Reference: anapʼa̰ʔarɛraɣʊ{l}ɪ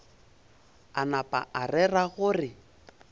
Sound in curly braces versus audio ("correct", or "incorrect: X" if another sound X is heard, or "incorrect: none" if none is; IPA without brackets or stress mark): incorrect: r